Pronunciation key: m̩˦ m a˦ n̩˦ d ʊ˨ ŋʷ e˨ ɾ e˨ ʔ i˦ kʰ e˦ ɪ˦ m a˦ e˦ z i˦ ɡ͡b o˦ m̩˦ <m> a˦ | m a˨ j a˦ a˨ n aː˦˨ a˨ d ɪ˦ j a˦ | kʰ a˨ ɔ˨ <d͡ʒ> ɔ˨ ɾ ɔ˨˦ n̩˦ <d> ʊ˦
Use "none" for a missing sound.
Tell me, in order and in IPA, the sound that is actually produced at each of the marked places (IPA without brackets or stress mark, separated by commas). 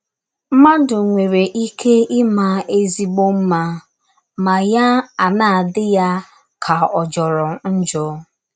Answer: m, d͡ʒ, d͡ʒ